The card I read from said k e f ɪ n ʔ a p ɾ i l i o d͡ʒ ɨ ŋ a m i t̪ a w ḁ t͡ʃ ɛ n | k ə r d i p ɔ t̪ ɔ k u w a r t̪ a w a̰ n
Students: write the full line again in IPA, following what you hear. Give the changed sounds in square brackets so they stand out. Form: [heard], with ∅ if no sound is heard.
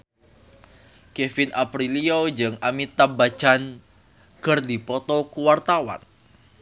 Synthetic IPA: k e f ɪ n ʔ a p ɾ i l i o d͡ʒ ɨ ŋ a m i t̪ a [b] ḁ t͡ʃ [a] n | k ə r d i p ɔ t̪ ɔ k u w a r t̪ a w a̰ n